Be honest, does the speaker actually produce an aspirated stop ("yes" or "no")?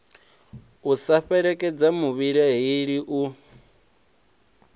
no